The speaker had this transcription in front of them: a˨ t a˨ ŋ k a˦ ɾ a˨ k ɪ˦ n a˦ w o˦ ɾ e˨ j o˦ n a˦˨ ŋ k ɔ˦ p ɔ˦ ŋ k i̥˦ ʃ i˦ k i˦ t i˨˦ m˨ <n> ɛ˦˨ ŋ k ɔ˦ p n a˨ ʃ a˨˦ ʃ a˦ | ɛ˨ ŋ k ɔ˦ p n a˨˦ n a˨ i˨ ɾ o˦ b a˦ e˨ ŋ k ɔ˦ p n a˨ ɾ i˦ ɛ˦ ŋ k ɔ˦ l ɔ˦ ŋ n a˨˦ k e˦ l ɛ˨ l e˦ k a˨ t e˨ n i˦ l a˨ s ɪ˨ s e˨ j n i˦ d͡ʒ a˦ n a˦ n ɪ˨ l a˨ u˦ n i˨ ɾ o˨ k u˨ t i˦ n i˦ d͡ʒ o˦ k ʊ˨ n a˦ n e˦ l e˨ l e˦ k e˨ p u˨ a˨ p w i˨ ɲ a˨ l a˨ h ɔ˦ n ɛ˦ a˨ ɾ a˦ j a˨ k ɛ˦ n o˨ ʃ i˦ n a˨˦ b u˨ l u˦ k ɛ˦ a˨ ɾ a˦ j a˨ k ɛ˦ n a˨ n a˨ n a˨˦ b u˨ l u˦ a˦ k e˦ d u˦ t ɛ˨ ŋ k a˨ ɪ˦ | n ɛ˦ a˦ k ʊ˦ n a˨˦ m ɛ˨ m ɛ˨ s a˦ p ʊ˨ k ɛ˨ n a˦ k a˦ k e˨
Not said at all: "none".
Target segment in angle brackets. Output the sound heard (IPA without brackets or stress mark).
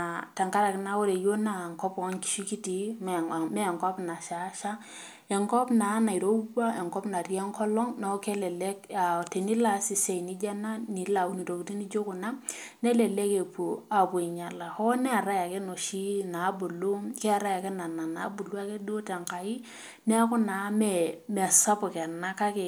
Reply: m